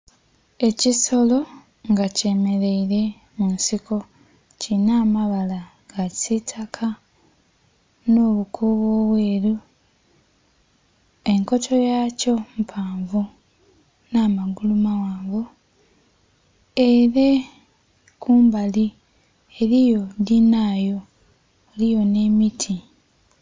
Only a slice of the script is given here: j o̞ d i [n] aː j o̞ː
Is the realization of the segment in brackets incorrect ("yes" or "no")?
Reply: no